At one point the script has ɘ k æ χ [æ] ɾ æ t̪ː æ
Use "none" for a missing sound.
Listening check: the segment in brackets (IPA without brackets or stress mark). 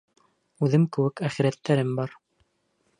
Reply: i